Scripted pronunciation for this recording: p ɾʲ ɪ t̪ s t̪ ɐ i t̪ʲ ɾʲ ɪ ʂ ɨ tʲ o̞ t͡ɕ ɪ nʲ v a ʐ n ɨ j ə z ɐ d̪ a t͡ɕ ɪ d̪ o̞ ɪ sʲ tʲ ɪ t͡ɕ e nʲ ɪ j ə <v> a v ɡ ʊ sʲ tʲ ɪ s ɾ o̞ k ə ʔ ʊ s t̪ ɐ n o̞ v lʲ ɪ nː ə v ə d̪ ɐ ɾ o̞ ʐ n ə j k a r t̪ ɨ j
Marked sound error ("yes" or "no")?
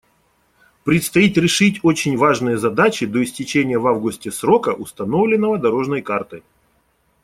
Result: no